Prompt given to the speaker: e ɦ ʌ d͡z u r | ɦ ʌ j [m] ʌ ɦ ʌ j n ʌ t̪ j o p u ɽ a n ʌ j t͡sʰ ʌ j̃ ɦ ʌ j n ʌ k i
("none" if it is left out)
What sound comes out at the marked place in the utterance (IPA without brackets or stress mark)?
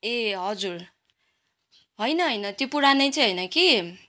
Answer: n